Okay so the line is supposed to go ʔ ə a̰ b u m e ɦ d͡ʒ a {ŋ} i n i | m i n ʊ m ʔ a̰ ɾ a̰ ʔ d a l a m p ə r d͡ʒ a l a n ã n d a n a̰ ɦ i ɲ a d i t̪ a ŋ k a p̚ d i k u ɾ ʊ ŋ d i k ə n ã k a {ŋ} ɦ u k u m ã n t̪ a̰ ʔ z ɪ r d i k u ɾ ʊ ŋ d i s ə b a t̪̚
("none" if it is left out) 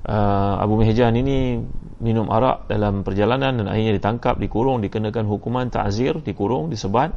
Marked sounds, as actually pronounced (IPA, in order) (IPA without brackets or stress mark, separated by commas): n, n